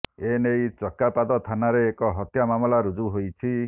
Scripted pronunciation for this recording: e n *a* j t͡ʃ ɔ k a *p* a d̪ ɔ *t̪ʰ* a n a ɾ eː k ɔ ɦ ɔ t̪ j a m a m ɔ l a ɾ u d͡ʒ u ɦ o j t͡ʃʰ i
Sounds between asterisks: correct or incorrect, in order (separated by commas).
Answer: incorrect, correct, correct